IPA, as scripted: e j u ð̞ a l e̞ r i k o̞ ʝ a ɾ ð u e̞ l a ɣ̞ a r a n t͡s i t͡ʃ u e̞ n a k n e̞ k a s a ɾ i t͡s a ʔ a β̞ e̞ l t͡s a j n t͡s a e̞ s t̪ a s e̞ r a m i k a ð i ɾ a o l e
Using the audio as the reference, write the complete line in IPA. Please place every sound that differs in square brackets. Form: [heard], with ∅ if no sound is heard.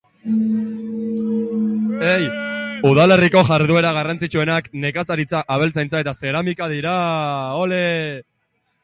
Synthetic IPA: e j u ð̞ a l e̞ r i k o̞ ʝ a ɾ ð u e̞ [ɾ] a ɣ̞ a r a n t͡s i t͡ʃ u e̞ n a k n e̞ k a s a ɾ i t͡s a ʔ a β̞ e̞ l t͡s a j n t͡s a e̞ [∅] t̪ a s e̞ [ɾ] a m i k a ð i ɾ a o l e